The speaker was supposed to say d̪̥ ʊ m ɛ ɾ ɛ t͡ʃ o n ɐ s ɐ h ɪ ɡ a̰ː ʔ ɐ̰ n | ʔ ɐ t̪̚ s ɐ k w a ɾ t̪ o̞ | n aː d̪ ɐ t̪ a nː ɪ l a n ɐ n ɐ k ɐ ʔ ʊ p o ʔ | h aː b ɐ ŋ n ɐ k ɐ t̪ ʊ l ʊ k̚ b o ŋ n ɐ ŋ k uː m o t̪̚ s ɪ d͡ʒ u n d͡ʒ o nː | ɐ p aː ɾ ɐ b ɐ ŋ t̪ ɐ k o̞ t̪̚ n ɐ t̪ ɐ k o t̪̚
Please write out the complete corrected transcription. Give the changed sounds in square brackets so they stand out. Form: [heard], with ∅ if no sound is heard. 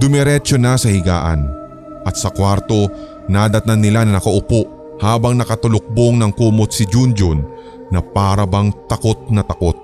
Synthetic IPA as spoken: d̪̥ ʊ m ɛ ɾ ɛ t͡ʃ o n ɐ s ɐ h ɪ ɡ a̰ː ʔ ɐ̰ n | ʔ ɐ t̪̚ s ɐ k w a ɾ t̪ o̞ | n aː d̪ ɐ t̪ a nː ɪ l a n ɐ n ɐ k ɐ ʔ ʊ p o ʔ | h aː b ɐ ŋ n ɐ k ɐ t̪ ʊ l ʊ k̚ b o ŋ n ɐ ŋ k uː m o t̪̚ s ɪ d͡ʒ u n d͡ʒ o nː | ɐ p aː ɾ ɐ b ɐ ŋ t̪ ɐ k o̞ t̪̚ n ɐ t̪ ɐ k o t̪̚